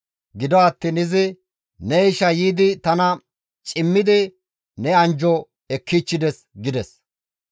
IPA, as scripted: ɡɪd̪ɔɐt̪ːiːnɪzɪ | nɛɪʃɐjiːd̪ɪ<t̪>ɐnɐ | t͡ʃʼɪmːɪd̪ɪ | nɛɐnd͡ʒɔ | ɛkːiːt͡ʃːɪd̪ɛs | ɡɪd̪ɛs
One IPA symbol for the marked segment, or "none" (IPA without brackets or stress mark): t̪